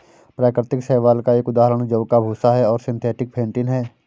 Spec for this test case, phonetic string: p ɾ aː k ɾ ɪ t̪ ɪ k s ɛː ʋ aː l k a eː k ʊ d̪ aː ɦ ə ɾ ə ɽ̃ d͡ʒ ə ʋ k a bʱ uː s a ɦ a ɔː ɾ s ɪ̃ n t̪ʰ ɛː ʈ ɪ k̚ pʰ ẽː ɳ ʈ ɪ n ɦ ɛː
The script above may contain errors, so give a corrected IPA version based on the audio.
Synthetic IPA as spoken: p ɾ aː k ɾ ɪ t̪ ɪ k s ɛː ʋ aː l k a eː k ʊ d̪ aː ɦ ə ɾ ə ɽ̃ d͡ʒ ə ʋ k a bʱ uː s a ɦ ɛ ɔː ɾ s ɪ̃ n t̪ʰ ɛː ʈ ɪ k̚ pʰ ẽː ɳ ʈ ɪ n ɦ ɛː